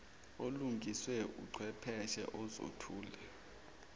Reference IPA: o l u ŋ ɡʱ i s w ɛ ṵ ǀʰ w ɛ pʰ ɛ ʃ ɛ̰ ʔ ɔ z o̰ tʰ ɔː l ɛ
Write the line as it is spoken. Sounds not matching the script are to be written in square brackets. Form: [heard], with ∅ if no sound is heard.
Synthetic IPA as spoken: o l u ŋ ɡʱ i s w ɛ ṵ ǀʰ w ɛ pʰ ɛ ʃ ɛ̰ ʔ ɔ z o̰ tʰ [uː] l ɛ